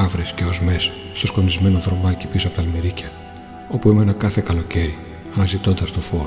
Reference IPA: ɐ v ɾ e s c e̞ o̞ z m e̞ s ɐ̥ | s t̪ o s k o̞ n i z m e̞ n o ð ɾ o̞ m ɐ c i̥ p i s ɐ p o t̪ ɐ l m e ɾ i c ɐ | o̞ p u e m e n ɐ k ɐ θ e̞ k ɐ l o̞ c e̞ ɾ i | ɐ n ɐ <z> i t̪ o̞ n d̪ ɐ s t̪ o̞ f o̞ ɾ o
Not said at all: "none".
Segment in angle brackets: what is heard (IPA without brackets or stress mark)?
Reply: z